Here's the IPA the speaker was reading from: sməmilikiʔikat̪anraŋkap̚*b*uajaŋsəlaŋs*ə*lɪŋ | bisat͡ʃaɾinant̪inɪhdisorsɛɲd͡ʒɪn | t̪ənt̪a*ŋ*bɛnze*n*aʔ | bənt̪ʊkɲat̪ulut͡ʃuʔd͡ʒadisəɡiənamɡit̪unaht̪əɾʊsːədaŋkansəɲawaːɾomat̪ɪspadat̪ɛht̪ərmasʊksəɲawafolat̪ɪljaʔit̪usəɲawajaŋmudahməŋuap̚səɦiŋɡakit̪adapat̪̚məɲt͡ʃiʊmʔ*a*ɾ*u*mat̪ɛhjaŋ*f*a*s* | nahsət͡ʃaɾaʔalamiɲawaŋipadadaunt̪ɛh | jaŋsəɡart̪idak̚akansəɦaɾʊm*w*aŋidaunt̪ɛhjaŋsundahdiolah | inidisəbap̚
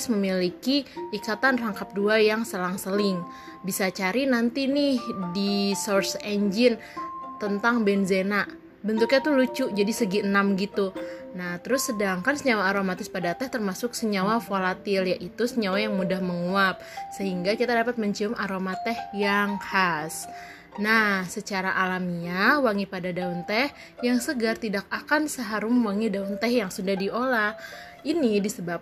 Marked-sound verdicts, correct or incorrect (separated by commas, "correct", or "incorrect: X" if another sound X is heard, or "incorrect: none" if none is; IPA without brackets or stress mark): incorrect: d, correct, correct, correct, correct, incorrect: o, incorrect: h, correct, correct